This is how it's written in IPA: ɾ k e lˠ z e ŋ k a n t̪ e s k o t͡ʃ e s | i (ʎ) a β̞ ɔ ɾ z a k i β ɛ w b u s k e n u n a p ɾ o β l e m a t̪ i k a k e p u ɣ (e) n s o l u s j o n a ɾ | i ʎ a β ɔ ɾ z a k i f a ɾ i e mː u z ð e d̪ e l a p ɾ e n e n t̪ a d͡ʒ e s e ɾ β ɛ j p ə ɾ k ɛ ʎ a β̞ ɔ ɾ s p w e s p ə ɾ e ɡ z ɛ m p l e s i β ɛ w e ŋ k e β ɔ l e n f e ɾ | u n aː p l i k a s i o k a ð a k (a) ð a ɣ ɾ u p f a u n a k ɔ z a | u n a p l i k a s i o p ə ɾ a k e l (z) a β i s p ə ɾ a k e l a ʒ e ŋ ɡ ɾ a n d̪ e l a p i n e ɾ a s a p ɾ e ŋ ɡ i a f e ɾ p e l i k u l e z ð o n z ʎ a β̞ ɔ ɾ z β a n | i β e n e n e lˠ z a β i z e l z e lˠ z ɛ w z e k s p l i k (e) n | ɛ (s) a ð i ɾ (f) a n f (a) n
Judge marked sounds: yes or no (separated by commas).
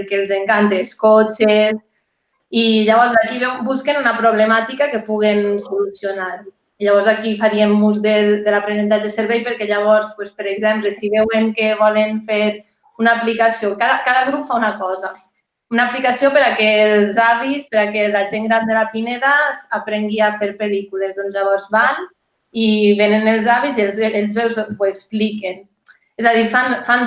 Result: yes, yes, yes, yes, yes, no, yes, yes